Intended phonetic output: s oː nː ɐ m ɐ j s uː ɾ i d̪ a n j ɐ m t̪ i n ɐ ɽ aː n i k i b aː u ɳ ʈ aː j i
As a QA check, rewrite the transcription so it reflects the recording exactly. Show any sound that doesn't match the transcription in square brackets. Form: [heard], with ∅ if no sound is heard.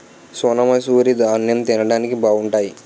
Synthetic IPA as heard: s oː [n] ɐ m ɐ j s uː ɾ i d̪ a n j ɐ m t̪ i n ɐ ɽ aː n i k i b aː u ɳ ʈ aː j i